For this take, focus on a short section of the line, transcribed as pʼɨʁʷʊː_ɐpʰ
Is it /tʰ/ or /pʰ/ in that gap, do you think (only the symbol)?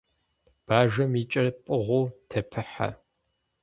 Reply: tʰ